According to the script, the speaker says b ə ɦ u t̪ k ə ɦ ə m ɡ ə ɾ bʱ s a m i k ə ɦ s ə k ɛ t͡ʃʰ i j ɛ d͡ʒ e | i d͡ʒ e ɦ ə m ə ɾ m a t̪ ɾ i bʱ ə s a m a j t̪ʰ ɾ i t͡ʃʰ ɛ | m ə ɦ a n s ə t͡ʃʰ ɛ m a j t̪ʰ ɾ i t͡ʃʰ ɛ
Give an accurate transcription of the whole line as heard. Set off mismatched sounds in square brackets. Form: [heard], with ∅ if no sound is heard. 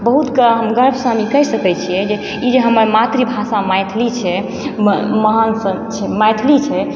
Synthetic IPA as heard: b ə ɦ u t̪ k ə ɦ ə m ɡ ə ɾ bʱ s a m i k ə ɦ s ə k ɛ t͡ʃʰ i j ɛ d͡ʒ e | i d͡ʒ e ɦ ə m ə ɾ m a t̪ ɾ i bʱ [a] s a m a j t̪ʰ [l] i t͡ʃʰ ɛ | m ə ɦ a n s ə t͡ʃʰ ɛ m a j t̪ʰ [l] i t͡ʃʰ ɛ